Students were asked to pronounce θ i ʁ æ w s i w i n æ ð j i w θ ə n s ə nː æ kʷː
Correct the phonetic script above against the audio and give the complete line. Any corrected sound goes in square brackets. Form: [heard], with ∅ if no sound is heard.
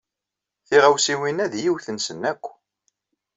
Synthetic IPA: θ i ʁ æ w s i w i n æ ð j i w θ ə n s ə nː æ kʷː